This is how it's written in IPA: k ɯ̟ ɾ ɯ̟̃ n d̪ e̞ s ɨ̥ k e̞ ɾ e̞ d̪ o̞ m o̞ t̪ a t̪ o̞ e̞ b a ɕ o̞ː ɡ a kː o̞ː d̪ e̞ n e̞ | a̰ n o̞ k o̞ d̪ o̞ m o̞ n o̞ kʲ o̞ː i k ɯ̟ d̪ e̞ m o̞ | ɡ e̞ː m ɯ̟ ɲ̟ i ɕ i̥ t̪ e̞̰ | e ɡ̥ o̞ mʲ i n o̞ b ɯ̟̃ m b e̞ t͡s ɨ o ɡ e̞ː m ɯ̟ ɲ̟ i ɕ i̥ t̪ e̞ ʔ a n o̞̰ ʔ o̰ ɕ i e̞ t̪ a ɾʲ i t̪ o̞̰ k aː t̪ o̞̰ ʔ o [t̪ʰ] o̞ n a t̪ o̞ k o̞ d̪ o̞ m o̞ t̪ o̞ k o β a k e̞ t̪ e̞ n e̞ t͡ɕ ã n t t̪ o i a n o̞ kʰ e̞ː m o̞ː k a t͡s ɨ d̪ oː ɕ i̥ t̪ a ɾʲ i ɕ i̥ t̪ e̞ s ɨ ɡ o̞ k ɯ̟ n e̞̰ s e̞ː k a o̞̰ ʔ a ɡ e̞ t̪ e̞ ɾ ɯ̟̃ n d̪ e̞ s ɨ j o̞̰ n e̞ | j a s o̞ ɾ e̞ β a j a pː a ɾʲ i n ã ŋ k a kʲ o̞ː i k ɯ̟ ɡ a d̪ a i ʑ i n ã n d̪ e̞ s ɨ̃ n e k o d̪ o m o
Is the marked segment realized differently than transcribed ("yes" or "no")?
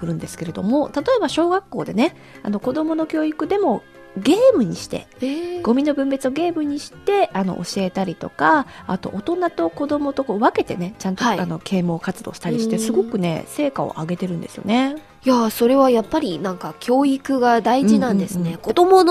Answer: yes